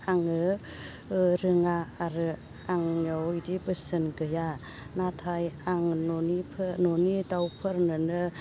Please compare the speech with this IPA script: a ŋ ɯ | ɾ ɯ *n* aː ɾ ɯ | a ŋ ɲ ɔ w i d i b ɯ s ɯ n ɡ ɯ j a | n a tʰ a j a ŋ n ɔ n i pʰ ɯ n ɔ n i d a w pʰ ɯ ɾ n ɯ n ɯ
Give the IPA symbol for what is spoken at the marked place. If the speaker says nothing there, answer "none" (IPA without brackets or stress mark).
ŋ